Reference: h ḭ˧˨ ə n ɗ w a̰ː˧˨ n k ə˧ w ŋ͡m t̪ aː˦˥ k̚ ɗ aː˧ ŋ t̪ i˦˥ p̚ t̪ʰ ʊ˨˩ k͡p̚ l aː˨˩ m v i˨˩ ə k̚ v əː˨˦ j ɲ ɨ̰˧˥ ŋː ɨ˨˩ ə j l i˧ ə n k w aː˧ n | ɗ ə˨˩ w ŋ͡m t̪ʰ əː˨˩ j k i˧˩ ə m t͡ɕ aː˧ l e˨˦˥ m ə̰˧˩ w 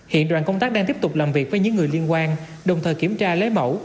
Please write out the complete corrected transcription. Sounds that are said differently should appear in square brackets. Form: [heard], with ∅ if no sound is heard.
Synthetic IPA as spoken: h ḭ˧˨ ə n ɗ w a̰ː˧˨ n k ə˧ w ŋ͡m t̪ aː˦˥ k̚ ɗ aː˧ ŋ t̪ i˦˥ p̚ [t̪] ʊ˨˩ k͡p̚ l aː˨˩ m v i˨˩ ə k̚ v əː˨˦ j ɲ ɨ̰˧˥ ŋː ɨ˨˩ ə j l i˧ ə n k w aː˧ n | ɗ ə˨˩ w ŋ͡m t̪ʰ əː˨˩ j k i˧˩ ə m t͡ɕ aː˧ l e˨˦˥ m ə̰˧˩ w